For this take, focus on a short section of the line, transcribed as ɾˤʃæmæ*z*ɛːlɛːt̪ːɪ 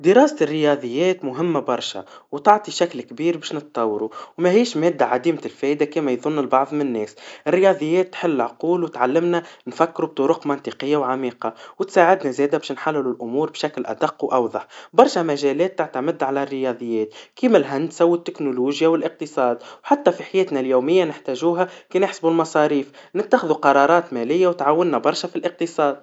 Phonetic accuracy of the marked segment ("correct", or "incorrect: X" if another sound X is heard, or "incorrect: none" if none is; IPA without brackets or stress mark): incorrect: ʒ